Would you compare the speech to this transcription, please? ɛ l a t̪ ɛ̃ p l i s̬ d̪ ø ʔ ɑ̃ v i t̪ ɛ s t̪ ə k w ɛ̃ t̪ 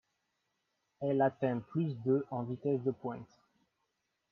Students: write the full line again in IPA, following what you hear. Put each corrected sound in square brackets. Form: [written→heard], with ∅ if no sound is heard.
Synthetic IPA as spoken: ɛ l a t̪ ɛ̃ p l [i→y] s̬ d̪ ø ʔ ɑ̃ v i t̪ ɛ s [t̪→d̪] ə [k→p] w ɛ̃ t̪